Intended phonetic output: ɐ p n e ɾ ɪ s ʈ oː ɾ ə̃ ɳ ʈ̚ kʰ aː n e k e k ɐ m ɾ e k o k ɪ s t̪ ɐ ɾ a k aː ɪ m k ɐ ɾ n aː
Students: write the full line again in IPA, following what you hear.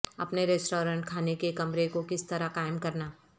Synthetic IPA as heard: ɐ p n e ɾ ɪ s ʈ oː ɾ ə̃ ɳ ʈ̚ kʰ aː n e k e k ɐ m ɾ e k o k ɪ s t̪ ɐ ɾ a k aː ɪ m k ɐ ɾ n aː

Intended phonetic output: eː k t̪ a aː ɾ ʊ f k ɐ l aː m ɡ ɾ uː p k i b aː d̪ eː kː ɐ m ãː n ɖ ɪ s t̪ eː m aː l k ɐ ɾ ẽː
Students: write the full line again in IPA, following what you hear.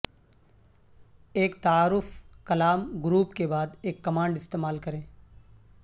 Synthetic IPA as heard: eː k t̪ a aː ɾ ʊ f k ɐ l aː m ɡ ɾ uː p k e b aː d̪ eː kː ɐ m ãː ɳ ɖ ɪ s t̪ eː m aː l k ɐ ɾ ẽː

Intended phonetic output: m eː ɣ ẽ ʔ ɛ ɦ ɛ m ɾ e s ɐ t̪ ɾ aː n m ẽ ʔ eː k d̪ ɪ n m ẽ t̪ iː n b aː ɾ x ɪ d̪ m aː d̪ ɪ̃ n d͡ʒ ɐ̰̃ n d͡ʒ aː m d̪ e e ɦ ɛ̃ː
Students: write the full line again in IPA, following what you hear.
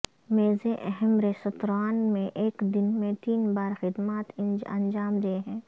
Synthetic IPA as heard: m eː z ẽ ʔ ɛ ɦ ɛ m ɾ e s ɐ t̪ ɾ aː n m ẽ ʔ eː k d̪ ɪ n m ẽ t̪ iː n b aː ɾ x ɪ d̪ m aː t̪ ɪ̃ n d͡ʒ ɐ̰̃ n d͡ʒ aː m d̪ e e ɦ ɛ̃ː

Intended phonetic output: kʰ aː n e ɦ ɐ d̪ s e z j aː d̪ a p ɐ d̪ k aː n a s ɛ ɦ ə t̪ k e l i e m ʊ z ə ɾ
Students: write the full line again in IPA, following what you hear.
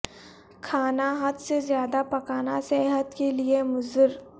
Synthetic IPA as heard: kʰ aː n a ɦ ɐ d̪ s e z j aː d̪ a p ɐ k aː n a s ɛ ɦ ə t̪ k e l i e m ʊ z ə ɾ

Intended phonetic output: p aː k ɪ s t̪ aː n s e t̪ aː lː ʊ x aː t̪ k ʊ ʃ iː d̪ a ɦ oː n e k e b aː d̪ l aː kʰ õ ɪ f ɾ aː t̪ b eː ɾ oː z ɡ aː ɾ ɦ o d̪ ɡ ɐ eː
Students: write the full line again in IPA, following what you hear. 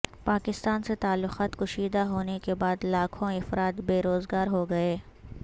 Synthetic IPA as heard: p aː k ɪ s t̪ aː n s e t̪ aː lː ʊ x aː t̪ k ʊ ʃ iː d̪ a ɦ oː n e k e b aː d̪ l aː kʰ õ ɪ f ɾ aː t̪ b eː ɾ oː z ɡ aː ɾ ɦ o ɡ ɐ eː

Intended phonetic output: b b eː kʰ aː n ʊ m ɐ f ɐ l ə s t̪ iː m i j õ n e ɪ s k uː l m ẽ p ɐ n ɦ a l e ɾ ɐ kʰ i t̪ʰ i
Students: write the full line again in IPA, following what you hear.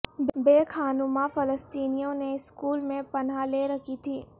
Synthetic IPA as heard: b b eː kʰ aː n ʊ m a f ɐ l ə s t̪ iː n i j õ n e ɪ s k uː l m ẽ p ɐ n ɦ a l e ɾ ɐ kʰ i t̪ʰ iː

